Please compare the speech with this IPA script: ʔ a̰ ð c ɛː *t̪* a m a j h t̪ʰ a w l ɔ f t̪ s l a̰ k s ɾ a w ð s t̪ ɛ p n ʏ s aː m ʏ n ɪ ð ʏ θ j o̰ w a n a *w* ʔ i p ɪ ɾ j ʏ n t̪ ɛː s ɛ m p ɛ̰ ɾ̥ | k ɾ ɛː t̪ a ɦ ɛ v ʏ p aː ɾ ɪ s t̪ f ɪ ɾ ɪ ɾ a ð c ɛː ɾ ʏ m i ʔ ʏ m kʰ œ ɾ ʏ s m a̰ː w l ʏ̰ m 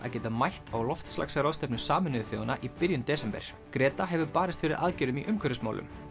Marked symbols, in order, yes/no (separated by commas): yes, no